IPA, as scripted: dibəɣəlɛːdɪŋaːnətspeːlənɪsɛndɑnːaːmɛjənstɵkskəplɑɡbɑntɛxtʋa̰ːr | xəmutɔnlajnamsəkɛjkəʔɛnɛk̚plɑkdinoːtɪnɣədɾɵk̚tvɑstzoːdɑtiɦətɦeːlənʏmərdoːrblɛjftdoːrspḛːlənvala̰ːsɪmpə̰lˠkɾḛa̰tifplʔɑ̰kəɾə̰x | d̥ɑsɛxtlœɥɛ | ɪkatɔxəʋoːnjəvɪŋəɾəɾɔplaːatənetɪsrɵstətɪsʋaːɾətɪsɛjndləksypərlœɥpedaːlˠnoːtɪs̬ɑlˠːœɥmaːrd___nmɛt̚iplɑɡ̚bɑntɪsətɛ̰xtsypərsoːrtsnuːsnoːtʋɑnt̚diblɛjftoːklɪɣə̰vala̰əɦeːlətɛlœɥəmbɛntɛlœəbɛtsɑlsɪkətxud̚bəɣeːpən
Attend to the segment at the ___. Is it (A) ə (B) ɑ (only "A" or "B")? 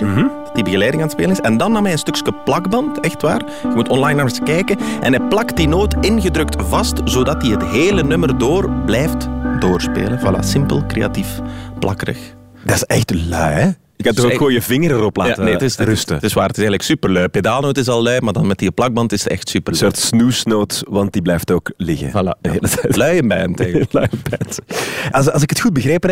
B